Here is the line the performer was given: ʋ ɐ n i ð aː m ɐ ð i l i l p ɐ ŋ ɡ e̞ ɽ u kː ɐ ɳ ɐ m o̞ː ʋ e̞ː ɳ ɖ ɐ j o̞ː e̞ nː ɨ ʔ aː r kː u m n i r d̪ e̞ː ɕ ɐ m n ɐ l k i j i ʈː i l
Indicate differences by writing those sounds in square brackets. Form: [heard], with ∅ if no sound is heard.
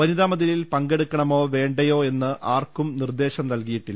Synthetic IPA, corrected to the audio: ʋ ɐ n i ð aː m ɐ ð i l i l p ɐ ŋ ɡ e̞ ɽ u kː ɐ ɳ ɐ m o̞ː ʋ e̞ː ɳ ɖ ɐ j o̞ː e̞ nː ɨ ʔ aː r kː u m n i r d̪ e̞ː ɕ ɐ m n ɐ l k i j i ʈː i l